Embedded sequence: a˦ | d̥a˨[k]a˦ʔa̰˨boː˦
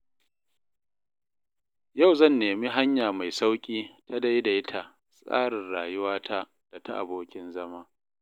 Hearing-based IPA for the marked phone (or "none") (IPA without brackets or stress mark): t